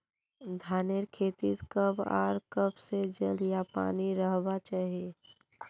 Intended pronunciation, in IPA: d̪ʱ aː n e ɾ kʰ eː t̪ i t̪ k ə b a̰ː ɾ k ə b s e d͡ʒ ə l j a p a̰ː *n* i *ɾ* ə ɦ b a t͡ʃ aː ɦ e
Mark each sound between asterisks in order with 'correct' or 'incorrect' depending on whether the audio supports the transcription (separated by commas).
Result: correct, correct